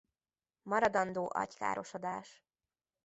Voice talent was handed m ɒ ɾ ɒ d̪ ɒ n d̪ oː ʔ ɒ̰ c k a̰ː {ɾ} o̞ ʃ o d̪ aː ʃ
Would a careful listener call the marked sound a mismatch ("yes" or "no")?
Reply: no